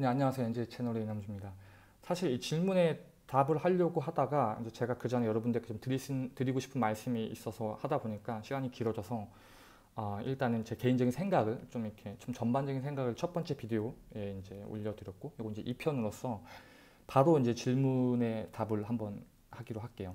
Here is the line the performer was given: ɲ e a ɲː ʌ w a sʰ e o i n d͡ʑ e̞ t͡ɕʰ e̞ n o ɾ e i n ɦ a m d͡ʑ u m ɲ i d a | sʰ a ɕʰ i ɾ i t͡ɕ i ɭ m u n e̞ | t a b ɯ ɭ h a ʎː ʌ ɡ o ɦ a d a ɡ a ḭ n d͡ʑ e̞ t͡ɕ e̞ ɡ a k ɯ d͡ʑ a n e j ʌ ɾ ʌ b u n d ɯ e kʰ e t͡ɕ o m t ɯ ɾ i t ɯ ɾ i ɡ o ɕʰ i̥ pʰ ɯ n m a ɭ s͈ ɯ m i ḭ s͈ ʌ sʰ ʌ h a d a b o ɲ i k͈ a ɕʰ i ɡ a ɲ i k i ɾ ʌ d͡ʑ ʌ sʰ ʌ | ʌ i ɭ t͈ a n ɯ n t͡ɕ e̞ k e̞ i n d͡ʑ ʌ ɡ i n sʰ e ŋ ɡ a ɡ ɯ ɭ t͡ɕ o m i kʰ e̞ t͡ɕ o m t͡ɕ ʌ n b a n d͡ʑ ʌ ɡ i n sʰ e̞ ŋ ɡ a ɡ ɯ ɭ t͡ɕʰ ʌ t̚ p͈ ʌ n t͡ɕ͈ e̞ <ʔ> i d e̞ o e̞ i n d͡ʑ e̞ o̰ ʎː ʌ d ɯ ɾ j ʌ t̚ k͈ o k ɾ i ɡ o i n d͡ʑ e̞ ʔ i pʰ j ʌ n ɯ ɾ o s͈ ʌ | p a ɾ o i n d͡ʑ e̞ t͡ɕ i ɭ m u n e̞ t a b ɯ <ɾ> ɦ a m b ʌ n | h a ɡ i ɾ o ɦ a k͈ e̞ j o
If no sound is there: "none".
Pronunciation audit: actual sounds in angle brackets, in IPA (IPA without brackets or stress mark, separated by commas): p, ɭ